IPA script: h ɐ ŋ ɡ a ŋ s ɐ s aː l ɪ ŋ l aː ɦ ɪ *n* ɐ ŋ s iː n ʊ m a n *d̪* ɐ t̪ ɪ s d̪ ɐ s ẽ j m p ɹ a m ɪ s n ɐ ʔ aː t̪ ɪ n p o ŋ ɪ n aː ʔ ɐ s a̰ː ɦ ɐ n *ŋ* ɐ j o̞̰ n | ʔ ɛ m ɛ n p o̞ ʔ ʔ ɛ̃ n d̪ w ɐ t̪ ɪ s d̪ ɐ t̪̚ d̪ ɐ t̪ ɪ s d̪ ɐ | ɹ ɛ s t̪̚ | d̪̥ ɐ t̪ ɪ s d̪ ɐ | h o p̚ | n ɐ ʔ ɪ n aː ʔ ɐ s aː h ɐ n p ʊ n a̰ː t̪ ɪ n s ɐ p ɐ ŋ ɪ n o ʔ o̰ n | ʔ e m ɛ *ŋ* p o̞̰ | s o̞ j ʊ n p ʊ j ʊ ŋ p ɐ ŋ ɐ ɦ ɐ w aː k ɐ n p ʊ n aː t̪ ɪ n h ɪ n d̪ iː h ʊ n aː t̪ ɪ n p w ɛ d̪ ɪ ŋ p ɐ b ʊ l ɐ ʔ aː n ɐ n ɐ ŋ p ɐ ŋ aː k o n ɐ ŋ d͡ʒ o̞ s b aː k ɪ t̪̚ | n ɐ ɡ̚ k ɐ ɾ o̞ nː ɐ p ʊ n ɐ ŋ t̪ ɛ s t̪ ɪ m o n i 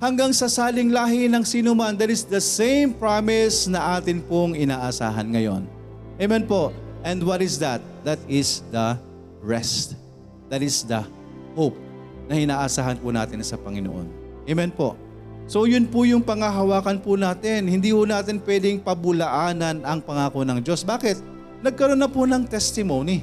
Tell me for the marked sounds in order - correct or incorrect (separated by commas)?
correct, correct, correct, incorrect